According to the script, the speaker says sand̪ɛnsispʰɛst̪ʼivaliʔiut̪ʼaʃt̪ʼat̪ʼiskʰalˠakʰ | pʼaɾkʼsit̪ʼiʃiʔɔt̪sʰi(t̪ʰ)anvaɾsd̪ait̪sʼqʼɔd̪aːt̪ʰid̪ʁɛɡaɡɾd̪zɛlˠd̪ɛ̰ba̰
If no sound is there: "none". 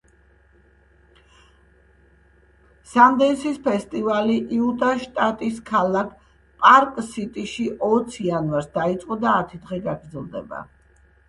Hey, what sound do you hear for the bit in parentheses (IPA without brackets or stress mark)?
none